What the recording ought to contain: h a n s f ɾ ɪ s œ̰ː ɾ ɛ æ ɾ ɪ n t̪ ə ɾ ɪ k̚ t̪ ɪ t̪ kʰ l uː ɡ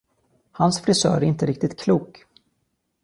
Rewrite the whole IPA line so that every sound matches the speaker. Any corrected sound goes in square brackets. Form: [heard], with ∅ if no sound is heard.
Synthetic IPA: h a n s f ɾ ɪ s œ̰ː ɾ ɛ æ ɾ ɪ n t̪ ə ɾ ɪ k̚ t̪ ɪ t̪ kʰ l uː [k]